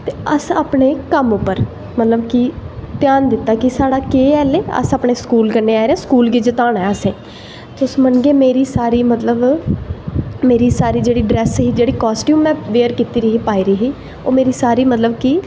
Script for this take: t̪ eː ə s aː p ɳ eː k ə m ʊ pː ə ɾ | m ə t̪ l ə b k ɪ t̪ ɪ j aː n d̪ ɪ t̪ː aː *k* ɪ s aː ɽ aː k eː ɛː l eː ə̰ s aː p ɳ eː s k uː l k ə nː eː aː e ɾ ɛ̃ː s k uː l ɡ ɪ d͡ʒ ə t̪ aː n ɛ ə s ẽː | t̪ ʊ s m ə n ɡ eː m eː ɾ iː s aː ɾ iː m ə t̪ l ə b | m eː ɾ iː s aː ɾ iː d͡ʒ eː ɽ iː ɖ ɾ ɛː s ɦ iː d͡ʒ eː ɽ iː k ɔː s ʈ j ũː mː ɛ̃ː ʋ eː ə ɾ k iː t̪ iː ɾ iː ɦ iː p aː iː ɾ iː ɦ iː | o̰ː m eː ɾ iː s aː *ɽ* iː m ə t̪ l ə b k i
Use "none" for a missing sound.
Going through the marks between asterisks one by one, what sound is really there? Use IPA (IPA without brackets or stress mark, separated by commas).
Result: k, ɾ